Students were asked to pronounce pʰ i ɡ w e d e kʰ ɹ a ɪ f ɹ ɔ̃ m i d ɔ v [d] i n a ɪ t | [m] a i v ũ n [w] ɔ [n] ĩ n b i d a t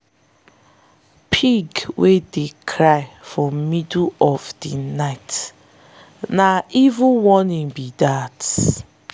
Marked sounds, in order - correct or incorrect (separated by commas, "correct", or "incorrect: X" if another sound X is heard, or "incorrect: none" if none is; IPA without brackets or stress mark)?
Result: correct, incorrect: n, correct, correct